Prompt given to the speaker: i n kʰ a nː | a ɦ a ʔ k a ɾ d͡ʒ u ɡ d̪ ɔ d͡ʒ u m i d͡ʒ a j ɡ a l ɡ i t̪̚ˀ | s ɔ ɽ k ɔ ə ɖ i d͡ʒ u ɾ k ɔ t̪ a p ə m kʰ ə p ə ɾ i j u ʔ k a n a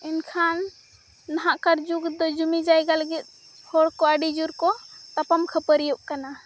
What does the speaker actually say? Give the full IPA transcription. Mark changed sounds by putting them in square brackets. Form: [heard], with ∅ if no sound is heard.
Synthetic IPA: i n kʰ a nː | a ɦ a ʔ k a ɾ d͡ʒ u ɡ d̪ ɔ d͡ʒ u m i d͡ʒ a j ɡ a l ɡ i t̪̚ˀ | [h] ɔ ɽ k ɔ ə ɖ i d͡ʒ u ɾ k ɔ t̪ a p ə m kʰ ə p ə ɾ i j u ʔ k a n a

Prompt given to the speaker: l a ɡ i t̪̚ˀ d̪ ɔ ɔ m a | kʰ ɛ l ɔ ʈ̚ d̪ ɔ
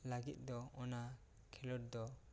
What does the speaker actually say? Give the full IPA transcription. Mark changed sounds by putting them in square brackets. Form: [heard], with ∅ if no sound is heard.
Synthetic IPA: l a ɡ i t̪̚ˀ d̪ ɔ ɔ [n] a | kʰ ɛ l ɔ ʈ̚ d̪ ɔ

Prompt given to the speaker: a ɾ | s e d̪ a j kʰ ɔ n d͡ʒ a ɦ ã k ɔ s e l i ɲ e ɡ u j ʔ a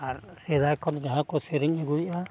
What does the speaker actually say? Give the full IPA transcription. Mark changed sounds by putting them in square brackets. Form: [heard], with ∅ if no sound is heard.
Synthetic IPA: a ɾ | s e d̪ a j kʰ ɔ n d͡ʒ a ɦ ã k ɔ s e [ɾ] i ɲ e ɡ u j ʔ a

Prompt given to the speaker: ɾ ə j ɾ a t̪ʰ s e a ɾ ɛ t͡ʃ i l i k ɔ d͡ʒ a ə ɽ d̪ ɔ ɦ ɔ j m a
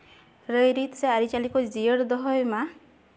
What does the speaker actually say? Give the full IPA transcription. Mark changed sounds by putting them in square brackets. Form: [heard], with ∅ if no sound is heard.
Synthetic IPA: ɾ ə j ɾ [i] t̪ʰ s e a ɾ [i] t͡ʃ [a] l i k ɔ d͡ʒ [i] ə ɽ d̪ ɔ ɦ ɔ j m a

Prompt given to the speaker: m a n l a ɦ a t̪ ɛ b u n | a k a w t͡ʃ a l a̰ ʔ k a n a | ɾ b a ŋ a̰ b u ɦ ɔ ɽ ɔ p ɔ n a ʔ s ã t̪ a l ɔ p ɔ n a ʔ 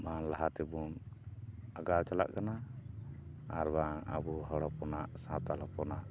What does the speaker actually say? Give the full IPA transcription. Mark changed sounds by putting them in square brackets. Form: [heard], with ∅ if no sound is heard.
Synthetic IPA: m a n l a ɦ a t̪ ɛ b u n | a [ɡ] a w t͡ʃ a l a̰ ʔ k a n a | ɾ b a ŋ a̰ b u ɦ ɔ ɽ ɔ p ɔ n a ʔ s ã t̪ a l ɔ p ɔ n a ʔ

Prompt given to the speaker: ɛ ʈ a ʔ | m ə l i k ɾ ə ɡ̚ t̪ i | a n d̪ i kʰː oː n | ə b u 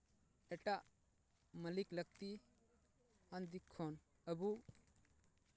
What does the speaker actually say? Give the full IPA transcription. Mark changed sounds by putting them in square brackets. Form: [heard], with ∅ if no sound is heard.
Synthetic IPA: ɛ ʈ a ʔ | m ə l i k [l] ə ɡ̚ t̪ i | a n d̪ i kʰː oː n | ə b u

